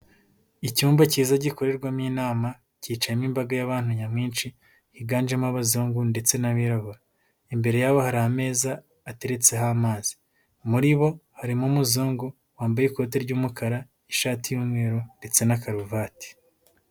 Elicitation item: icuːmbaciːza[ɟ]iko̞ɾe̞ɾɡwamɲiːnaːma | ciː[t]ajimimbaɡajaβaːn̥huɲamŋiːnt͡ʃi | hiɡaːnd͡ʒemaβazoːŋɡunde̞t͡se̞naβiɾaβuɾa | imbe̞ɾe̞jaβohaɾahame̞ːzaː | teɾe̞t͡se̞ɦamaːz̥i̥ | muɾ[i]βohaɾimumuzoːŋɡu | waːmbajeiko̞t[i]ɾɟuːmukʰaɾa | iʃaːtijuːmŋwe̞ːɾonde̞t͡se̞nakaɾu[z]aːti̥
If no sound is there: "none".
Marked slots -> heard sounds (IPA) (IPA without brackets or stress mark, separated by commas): ɟ, t͡ʃ, i, e, v